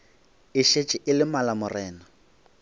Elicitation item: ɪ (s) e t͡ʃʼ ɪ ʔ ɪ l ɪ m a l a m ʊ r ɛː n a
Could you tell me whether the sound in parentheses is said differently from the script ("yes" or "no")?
yes